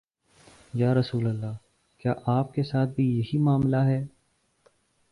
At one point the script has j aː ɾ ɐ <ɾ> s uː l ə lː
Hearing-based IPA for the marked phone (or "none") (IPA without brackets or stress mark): none